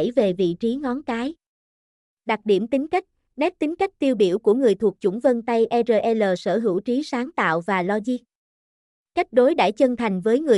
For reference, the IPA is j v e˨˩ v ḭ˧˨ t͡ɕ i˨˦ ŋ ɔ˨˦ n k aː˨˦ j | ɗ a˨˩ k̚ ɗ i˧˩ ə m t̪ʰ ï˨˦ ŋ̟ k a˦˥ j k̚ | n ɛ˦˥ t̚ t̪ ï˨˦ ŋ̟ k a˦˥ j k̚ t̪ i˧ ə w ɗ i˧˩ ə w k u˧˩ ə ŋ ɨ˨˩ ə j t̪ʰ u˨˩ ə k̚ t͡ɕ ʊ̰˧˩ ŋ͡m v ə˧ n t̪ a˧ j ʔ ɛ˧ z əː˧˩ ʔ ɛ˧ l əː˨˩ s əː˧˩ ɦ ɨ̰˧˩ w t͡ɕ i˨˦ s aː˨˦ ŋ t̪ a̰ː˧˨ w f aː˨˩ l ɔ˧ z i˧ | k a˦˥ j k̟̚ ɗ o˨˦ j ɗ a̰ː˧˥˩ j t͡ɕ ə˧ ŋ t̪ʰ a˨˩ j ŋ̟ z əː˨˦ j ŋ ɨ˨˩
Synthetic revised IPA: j v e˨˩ v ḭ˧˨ t͡ɕ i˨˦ ŋ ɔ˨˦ n k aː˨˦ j | ɗ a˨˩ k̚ ɗ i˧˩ ə m t̪ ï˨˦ ŋ̟ k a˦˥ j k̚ | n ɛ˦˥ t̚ t̪ ï˨˦ ŋ̟ k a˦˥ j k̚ t̪ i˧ ə w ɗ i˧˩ ə w k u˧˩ ə ŋ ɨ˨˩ ə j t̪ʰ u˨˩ ə k̚ t͡ɕ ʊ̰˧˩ ŋ͡m v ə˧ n t̪ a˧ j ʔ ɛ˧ z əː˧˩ ʔ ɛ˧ l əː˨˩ s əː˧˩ ɦ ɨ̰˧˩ w t͡ɕ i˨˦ s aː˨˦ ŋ t̪ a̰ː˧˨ w v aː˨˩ l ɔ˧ z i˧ | k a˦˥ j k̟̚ ɗ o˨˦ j ɗ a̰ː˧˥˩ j t͡ɕ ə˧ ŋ t̪ʰ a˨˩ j ŋ̟ v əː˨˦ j ŋ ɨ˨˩